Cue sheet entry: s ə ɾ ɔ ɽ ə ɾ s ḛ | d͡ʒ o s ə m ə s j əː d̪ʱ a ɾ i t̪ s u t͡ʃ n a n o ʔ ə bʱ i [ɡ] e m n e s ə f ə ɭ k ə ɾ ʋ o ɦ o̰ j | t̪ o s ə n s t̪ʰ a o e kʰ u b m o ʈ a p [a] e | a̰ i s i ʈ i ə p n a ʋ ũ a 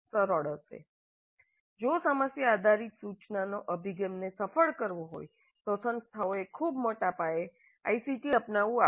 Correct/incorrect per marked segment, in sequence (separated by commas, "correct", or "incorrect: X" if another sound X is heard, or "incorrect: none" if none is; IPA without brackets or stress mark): correct, correct